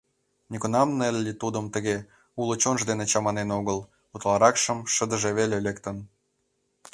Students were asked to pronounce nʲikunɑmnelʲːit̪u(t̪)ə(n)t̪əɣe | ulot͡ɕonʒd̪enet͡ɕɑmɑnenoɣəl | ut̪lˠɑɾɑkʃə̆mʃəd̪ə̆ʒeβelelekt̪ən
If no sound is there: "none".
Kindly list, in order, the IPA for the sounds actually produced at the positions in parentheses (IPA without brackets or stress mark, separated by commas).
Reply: d̪, m